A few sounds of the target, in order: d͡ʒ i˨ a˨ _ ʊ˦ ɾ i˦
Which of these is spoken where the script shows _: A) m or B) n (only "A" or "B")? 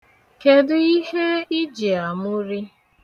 A